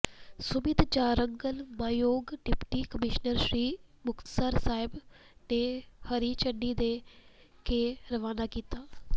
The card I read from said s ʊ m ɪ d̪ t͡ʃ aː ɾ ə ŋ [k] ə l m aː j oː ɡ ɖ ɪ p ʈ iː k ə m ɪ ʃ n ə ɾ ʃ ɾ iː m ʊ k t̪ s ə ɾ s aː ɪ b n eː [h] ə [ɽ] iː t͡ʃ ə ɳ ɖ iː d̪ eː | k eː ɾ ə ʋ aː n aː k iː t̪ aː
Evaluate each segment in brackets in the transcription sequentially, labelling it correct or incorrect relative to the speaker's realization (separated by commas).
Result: incorrect, correct, incorrect